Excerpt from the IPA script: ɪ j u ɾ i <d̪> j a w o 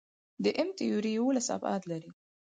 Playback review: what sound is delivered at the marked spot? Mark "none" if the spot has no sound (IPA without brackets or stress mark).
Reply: none